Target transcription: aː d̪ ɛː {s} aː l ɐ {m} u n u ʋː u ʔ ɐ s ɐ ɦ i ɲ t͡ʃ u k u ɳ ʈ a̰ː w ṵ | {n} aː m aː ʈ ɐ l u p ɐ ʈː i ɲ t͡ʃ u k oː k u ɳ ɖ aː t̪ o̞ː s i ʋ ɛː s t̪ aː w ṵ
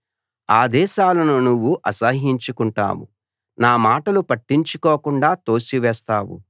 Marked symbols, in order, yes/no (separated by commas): no, no, yes